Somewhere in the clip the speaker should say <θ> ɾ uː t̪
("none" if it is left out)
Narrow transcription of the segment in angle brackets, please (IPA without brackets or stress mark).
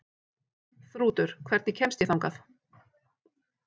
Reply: θ